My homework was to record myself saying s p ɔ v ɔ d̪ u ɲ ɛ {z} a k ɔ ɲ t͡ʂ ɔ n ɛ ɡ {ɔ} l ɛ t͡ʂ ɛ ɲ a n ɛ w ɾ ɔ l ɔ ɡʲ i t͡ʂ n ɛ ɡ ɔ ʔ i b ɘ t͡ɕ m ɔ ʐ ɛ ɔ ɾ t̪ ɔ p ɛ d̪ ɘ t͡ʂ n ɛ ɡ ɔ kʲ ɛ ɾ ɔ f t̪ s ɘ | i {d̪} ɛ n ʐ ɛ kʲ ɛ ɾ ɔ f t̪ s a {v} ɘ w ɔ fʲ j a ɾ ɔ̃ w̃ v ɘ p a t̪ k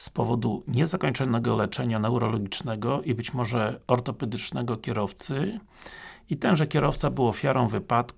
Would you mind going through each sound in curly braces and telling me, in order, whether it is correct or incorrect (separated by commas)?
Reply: correct, correct, incorrect, incorrect